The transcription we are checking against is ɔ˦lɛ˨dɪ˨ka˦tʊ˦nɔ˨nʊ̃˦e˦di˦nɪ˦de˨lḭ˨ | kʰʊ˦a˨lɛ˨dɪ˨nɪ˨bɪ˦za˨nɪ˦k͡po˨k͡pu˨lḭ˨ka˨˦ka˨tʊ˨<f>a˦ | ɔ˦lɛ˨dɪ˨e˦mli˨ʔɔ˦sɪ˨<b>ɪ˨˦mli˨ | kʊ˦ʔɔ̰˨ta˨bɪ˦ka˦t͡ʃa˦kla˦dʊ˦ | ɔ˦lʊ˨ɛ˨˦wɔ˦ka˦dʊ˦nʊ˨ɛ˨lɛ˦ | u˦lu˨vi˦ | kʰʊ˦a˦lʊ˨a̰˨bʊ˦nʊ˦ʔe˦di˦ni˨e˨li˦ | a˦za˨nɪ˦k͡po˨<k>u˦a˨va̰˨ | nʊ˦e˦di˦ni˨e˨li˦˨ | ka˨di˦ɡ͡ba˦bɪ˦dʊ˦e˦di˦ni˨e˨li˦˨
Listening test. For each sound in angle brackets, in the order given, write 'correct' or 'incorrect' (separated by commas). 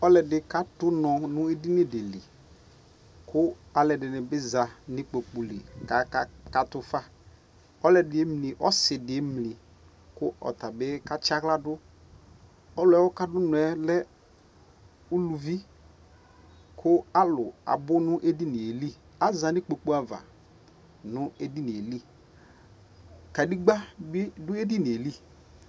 correct, incorrect, incorrect